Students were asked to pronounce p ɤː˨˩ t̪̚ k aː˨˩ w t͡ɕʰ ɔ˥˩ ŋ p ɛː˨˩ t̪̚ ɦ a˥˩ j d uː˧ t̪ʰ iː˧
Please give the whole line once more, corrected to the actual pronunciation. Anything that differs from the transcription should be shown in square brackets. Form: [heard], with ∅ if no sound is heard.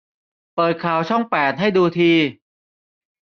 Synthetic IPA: p ɤː˨˩ t̪̚ [kʰ] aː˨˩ w t͡ɕʰ ɔ˥˩ ŋ p ɛː˨˩ t̪̚ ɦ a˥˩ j d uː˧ t̪ʰ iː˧

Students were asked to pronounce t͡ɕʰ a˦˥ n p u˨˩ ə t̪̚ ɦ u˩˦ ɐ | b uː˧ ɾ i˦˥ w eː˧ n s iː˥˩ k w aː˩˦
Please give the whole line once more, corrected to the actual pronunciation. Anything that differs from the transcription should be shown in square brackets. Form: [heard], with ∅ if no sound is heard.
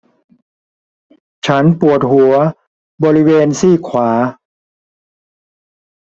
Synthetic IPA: t͡ɕʰ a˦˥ n p u˨˩ ə t̪̚ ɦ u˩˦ ɐ | b [ɔː˧] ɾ i˦˥ w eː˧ n s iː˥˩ [kʰ] w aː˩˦

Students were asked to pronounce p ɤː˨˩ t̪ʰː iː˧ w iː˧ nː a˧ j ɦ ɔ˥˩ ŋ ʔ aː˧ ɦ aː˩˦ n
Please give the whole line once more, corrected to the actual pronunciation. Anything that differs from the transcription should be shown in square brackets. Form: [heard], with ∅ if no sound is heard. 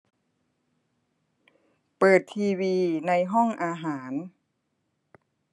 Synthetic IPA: p ɤː˨˩ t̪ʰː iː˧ w iː˧ [n] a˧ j ɦ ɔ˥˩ ŋ ʔ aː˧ ɦ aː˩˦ n

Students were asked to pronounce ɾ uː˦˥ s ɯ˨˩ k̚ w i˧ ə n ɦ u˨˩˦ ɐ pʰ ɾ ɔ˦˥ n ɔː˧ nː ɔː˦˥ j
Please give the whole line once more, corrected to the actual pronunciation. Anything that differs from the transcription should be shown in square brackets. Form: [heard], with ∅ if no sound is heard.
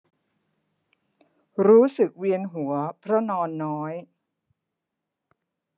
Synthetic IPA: ɾ uː˦˥ s ɯ˨˩ k̚ w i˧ ə n ɦ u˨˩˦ ɐ pʰ ɾ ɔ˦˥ n ɔː˧ nː ɔː˦˥ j

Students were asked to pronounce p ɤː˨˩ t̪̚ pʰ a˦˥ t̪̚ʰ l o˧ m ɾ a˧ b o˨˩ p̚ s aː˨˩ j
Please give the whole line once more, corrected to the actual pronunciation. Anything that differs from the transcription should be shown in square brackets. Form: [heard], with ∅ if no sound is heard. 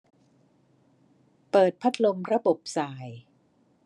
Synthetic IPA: p ɤː˨˩ t̪̚ pʰ a˦˥ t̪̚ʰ l o˧ m ɾ a˧ b o˨˩ p̚ s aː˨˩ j

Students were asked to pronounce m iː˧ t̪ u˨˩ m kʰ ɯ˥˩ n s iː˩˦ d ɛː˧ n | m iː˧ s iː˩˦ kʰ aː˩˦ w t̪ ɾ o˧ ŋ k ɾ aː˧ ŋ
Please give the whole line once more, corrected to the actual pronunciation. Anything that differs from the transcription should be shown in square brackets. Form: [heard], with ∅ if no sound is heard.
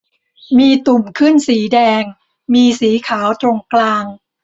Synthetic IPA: m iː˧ t̪ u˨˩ m kʰ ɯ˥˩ n s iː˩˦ d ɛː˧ [ŋ] | m iː˧ s iː˩˦ kʰ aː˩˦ w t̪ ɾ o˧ ŋ k [l] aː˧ ŋ

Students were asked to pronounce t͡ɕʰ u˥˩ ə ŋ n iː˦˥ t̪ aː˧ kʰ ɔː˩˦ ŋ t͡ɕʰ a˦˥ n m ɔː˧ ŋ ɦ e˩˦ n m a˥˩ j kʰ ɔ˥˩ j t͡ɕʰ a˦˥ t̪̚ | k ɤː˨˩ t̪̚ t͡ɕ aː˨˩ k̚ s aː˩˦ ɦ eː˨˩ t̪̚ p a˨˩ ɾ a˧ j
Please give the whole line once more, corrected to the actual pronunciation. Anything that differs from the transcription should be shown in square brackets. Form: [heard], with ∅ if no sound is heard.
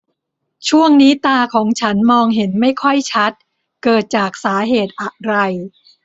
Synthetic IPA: t͡ɕʰ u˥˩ ə ŋ n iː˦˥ t̪ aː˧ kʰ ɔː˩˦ ŋ t͡ɕʰ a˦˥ n m ɔː˧ ŋ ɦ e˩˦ n m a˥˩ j kʰ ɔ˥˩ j t͡ɕʰ a˦˥ t̪̚ | k ɤː˨˩ t̪̚ t͡ɕ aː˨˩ k̚ s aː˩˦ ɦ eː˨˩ t̪̚ [ʔ] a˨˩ ɾ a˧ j

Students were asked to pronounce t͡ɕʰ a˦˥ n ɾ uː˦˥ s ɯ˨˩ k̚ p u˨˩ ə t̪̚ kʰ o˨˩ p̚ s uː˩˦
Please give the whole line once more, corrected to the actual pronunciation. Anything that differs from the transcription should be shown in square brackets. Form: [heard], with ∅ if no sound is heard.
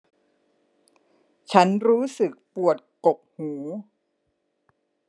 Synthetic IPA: t͡ɕʰ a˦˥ n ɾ uː˦˥ s ɯ˨˩ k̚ p u˨˩ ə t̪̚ [k] o˨˩ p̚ [h] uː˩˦

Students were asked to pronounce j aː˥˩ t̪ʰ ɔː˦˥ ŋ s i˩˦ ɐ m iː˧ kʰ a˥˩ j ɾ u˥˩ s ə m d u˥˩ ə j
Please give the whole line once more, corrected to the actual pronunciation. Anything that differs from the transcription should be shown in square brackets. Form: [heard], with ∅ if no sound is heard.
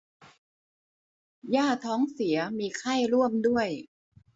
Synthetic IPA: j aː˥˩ t̪ʰ ɔː˦˥ ŋ s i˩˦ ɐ m iː˧ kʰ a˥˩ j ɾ u˥˩ [∅] ə m d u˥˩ ə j

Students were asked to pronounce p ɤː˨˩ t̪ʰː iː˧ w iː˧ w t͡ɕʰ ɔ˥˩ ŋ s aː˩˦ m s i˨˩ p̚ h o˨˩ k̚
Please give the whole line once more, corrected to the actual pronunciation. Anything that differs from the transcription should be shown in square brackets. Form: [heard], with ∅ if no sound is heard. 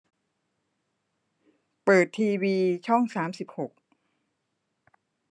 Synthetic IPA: p ɤː˨˩ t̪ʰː iː˧ w iː˧ [∅] t͡ɕʰ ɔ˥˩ ŋ s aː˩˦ m s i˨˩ p̚ h o˨˩ k̚

